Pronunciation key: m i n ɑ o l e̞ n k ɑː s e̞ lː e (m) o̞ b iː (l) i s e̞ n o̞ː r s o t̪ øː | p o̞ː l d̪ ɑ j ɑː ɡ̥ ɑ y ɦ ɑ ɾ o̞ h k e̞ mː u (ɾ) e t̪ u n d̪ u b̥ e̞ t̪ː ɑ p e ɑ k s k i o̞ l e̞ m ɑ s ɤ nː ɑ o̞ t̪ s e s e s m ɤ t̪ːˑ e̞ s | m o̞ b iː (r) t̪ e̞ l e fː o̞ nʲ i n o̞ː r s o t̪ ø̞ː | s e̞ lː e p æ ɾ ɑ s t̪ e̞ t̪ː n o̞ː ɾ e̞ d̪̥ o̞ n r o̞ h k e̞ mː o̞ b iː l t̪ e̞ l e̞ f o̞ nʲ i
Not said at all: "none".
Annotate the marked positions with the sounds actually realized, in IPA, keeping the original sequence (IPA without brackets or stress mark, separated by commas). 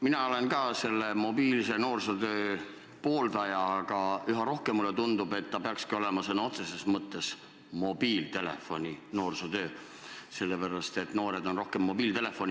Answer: m, l, l, l